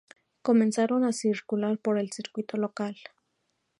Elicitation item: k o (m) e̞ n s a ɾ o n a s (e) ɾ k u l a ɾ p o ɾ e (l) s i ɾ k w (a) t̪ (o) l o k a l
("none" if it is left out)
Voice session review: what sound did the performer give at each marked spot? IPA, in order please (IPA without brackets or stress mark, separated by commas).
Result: m, i, l, i, o